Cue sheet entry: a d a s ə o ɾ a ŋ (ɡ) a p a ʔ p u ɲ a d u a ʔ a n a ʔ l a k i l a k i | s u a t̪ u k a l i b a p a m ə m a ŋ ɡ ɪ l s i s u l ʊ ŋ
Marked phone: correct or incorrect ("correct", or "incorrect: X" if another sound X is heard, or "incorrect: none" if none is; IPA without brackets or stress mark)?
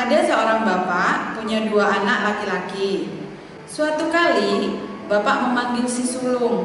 incorrect: b